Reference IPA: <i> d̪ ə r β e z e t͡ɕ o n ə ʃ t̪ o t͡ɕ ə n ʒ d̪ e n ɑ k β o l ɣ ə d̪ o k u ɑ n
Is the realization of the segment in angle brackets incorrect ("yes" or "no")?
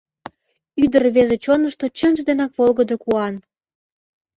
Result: yes